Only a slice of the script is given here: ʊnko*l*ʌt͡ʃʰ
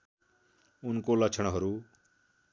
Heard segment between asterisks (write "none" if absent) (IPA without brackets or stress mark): l